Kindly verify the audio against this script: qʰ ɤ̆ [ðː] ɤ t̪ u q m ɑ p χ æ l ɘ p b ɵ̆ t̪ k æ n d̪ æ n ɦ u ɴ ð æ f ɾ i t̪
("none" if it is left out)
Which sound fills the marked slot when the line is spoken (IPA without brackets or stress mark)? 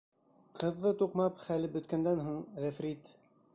ðː